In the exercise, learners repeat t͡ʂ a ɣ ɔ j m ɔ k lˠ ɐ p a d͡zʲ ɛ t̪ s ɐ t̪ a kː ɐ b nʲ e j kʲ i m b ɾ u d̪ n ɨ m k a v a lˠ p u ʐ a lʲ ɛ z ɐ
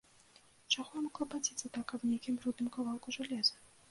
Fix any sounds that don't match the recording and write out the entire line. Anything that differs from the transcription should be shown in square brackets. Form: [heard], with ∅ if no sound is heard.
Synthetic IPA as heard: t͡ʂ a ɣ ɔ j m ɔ k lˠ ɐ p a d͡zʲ [i] t̪ s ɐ t̪ a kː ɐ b nʲ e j kʲ i m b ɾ u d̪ n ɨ m k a v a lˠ [k] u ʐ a lʲ ɛ z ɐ